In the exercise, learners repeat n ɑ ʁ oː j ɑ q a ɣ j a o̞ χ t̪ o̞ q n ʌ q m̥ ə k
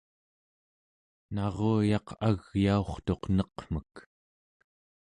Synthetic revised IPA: n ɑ ʁ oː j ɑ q a ɣ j a o̞ χ t̪ o̞ q n ʌ q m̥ ə k